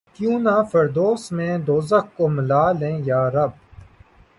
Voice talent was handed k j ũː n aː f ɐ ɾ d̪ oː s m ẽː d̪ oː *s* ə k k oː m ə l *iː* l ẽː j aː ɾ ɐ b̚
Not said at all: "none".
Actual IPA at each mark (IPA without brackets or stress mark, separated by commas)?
z, aː